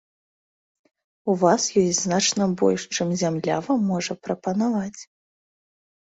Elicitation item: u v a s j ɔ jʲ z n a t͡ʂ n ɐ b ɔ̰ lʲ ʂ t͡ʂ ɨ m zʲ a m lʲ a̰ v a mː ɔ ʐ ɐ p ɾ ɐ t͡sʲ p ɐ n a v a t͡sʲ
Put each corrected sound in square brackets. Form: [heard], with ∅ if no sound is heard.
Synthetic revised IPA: u v a s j ɔ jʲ z n a t͡ʂ n ɐ b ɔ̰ lʲ ʂ t͡ʂ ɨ m zʲ a m lʲ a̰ v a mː ɔ ʐ ɐ p ɾ ɐ [∅] p ɐ n a v a t͡sʲ